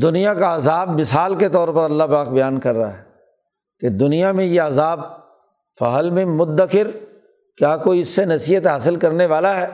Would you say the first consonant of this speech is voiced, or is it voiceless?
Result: voiced